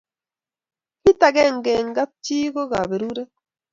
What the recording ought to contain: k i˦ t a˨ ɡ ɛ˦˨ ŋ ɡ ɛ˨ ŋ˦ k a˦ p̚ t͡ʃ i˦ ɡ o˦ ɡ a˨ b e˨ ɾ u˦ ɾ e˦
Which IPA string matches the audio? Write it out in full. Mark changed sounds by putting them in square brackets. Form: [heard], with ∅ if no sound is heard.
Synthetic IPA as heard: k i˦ t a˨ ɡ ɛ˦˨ ŋ ɡ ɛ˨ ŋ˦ [ɡ] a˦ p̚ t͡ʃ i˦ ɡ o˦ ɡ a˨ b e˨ ɾ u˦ ɾ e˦

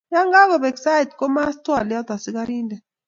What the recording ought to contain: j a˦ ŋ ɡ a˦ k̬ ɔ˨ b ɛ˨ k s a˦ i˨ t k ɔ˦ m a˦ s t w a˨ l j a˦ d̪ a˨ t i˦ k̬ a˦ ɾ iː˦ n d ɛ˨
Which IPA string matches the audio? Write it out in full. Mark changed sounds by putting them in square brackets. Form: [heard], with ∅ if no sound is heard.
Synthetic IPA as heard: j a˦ ŋ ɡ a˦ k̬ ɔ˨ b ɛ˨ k s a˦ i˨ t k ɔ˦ m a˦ s t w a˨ l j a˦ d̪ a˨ [s] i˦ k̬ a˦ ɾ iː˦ n d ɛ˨

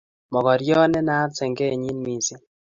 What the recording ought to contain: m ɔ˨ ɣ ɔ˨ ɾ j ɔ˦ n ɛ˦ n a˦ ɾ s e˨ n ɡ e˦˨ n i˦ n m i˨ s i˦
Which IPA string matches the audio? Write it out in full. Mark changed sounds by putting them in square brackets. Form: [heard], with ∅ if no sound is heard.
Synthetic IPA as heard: m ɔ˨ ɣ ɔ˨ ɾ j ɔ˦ n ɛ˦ n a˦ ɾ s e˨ [ŋ] ɡ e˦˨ [ɲ] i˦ n m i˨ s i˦

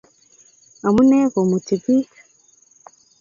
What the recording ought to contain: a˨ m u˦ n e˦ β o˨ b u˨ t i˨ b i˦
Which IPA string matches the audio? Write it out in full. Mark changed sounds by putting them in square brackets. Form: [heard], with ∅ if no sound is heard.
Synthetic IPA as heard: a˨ m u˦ n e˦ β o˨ [m] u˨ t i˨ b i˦

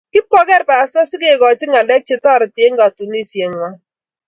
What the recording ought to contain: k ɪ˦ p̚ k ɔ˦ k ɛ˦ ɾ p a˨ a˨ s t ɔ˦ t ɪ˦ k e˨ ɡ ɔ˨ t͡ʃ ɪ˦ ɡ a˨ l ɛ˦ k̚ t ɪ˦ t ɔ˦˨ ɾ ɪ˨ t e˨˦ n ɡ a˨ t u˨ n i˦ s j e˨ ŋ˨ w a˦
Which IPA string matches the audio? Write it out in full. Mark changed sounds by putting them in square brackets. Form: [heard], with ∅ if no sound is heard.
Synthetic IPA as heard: k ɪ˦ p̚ k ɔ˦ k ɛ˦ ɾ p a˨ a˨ s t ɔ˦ [s] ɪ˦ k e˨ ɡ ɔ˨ t͡ʃ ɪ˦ [ŋ] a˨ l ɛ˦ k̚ [t͡ʃ] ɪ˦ t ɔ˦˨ ɾ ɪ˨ t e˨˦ [ŋ] ɡ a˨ t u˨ n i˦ s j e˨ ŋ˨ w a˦

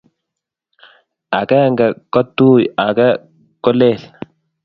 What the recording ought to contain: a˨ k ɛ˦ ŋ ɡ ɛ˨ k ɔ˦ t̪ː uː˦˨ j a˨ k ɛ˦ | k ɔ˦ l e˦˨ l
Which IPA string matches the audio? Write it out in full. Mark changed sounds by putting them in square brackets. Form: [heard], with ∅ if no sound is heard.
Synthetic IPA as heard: a˨ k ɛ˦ ŋ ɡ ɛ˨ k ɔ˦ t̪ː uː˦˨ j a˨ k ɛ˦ | k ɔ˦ l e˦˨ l

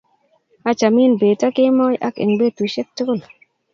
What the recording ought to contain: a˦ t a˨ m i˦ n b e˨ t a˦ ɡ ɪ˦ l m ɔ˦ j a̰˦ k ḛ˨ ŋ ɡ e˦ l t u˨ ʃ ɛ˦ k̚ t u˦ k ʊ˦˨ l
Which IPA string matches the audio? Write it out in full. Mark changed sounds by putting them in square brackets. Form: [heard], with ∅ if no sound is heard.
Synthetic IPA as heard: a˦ [t͡ʃ] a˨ m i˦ n b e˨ t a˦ [k] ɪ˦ [∅] m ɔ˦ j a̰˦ k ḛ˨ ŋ [b] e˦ [∅] t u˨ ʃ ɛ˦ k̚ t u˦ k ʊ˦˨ l

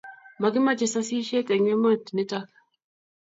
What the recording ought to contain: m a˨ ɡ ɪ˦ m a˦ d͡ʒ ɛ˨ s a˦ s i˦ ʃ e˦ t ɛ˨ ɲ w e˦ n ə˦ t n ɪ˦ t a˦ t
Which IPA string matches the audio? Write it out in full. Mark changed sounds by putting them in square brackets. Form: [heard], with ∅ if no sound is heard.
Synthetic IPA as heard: m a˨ ɡ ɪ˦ m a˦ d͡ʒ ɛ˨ s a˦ s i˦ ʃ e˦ t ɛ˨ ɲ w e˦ [m] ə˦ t n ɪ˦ t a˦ [k]

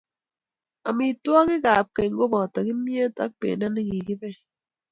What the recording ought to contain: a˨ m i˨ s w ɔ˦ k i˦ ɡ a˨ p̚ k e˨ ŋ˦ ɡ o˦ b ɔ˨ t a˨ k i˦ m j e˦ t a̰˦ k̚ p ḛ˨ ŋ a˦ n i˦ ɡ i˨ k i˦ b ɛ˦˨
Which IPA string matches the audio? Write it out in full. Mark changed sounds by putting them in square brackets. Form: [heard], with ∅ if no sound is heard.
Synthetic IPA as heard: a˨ m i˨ [t] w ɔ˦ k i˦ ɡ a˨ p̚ k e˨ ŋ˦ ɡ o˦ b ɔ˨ t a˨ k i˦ m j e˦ t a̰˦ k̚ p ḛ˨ [n] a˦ n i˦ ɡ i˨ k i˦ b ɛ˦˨

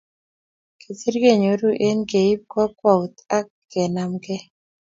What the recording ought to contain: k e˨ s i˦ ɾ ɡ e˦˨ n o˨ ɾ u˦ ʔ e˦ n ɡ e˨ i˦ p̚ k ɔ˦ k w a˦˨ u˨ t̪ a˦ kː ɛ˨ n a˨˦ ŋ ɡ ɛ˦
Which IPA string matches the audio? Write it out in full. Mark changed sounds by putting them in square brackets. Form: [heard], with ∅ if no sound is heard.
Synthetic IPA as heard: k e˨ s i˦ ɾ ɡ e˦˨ [ɲ] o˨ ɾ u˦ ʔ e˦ n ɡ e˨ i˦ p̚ k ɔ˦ k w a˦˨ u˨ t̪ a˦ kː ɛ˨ n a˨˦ [m] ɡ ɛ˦

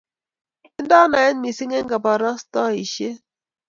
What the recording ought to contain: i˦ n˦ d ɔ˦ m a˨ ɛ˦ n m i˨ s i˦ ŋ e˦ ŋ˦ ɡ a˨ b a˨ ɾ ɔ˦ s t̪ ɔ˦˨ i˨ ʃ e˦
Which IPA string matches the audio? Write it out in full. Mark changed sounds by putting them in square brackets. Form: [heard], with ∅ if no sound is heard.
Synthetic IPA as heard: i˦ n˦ d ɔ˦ [n] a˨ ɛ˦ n m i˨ s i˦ ŋ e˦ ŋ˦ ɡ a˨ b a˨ ɾ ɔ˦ s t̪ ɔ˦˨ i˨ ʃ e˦

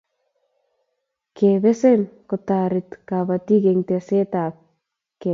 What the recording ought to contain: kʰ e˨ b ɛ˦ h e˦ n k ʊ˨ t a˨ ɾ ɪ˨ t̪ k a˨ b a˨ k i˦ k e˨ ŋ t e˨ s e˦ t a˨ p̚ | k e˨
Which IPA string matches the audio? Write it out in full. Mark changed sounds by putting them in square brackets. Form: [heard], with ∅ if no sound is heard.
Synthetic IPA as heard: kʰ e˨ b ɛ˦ [s] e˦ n k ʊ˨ t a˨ ɾ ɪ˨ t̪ k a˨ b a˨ [t] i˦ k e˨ ŋ t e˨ s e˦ t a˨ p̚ | k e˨

